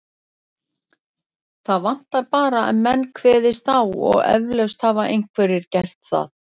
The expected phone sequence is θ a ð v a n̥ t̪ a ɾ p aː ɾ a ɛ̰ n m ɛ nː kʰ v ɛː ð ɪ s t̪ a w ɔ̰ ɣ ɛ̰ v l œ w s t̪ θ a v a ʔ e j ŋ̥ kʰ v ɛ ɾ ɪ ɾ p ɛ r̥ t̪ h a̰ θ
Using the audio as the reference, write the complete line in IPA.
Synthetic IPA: θ a ð v a n̥ t̪ a ɾ p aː ɾ a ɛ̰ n m ɛ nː kʰ v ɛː ð ɪ s t̪ a w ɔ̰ ɣ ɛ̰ v l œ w s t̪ h a v a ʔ e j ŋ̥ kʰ v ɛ ɾ ɪ ɾ c ɛ r̥ t̪ θ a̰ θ